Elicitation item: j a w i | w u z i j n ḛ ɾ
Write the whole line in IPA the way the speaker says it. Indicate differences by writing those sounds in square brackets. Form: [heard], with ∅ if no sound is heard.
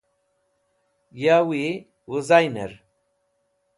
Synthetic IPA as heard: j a w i | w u z [a] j n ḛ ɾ